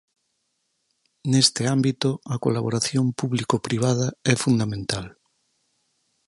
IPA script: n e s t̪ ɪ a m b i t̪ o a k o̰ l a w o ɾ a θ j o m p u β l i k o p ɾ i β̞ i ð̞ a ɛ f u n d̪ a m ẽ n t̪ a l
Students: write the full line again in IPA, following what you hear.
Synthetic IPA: n e s t̪ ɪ a m b i t̪ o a k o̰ l a β o ɾ a θ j o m p u β l i k o p ɾ i β̞ a ð̞ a ɛ f u n d̪ a m ẽ n t̪ a l